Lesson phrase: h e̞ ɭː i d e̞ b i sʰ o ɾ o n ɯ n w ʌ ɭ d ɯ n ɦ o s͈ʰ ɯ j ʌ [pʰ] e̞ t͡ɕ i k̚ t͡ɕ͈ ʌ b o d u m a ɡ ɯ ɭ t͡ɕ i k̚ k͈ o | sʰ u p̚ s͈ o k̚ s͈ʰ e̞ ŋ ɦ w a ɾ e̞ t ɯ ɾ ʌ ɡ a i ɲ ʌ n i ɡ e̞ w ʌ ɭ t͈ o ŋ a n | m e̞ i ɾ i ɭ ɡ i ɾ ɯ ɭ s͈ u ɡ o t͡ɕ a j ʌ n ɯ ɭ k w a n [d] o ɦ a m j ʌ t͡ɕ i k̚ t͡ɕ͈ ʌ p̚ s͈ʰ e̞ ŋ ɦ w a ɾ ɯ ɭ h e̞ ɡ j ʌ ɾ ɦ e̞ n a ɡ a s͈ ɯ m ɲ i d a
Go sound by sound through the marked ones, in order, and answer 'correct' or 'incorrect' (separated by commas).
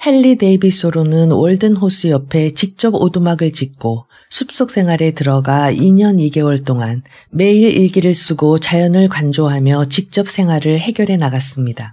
correct, incorrect